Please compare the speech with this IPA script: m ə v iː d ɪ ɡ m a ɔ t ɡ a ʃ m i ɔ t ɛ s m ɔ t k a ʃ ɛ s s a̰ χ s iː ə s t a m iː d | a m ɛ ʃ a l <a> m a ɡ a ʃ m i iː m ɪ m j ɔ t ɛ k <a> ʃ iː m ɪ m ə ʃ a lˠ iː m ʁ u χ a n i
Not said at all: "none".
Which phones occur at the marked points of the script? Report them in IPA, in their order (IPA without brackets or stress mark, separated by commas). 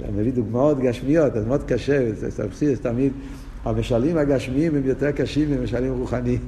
i, a